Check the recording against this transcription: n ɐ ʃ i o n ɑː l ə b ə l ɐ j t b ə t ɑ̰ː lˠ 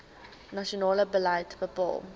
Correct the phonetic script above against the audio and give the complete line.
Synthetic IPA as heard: n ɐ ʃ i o n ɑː l ə b ə l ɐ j t b ə p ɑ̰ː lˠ